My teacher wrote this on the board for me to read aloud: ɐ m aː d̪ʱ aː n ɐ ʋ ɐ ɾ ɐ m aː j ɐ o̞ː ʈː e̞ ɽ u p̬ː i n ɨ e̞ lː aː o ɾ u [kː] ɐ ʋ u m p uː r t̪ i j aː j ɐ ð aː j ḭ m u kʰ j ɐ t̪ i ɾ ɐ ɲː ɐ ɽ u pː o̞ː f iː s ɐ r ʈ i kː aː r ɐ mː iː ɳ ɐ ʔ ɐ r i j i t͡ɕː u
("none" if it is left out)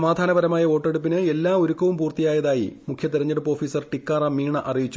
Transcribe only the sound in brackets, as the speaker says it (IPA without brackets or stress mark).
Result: kː